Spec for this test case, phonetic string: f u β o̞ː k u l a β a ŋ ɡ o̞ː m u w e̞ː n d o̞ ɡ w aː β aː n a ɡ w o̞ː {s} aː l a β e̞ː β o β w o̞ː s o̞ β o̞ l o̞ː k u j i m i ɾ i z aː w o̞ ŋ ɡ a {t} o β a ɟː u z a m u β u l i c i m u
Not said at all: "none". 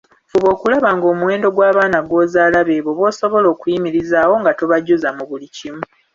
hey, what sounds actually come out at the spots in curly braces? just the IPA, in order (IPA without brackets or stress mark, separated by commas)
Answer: z, t